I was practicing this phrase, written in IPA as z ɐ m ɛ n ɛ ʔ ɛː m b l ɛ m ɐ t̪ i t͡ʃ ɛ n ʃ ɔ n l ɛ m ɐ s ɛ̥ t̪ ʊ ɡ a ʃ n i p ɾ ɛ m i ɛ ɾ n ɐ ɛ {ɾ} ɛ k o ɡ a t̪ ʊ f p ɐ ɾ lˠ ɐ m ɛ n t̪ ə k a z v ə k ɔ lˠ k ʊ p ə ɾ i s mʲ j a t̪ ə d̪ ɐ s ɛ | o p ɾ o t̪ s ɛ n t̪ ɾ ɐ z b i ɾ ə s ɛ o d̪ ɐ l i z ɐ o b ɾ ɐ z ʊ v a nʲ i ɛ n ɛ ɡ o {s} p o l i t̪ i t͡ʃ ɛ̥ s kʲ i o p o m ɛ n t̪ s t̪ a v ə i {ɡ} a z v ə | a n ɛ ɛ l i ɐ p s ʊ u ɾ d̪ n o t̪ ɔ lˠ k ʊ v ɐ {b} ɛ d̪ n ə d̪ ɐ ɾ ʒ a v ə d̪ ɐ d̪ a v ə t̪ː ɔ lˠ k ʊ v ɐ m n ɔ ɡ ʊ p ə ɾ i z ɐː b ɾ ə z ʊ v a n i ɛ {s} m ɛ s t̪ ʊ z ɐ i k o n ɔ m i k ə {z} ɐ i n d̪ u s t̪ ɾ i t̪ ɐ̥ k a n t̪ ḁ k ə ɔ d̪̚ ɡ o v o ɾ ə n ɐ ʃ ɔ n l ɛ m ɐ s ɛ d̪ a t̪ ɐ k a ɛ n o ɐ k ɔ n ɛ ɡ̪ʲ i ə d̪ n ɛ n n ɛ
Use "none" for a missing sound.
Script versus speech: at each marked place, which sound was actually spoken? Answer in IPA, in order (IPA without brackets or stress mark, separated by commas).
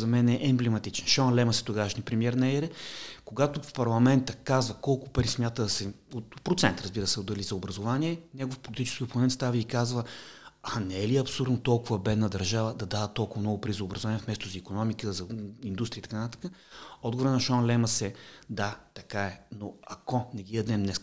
ɾ, f, k, b, f, z